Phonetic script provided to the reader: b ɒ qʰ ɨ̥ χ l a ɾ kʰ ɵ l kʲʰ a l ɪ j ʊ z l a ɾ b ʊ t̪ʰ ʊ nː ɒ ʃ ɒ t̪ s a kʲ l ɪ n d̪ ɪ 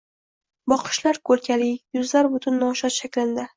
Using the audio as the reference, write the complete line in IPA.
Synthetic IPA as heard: b ɒ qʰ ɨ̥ ʃ l a ɾ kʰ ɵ l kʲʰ a l ɪ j ʊ z l a ɾ b ʊ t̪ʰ ʊ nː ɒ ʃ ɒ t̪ ʃ a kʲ l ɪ n d̪ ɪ